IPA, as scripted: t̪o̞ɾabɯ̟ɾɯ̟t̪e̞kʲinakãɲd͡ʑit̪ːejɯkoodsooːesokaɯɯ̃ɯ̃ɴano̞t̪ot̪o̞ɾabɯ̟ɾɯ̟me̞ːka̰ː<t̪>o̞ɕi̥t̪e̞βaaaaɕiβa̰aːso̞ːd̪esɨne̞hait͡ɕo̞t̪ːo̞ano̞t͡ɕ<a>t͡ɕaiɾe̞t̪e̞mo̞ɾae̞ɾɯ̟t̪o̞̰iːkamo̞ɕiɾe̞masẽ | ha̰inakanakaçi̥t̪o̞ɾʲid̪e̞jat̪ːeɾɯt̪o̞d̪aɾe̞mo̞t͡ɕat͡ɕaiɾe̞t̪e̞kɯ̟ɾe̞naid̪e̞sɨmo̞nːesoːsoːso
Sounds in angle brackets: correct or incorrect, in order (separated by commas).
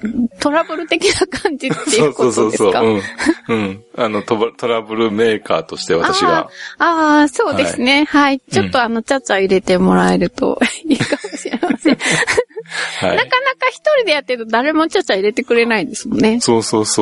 correct, correct